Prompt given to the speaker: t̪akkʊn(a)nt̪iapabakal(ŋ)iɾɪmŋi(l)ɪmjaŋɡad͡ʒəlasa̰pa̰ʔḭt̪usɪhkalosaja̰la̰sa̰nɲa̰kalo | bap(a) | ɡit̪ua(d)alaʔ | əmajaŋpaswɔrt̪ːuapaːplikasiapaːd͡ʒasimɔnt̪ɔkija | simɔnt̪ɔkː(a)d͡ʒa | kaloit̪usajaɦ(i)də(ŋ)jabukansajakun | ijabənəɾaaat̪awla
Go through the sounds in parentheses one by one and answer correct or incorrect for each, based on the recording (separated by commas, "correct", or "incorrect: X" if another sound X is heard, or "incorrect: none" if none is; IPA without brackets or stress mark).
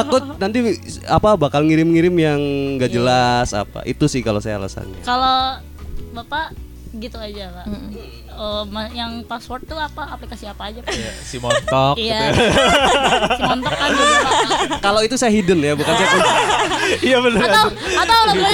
correct, correct, incorrect: ɾ, correct, incorrect: d͡ʒ, correct, correct, incorrect: n